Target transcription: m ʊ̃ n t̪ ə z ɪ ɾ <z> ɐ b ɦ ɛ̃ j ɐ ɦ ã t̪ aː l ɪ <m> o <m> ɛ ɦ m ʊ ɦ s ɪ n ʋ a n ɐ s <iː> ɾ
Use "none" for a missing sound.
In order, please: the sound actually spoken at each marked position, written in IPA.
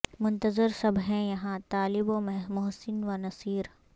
s, b, m, iː

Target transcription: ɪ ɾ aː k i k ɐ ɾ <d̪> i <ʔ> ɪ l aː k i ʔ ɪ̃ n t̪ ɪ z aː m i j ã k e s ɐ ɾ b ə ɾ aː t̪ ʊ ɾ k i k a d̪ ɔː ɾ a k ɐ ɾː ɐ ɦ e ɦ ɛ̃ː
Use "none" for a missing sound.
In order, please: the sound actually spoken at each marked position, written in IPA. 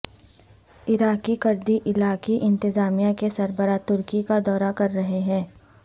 d̪, ʔ

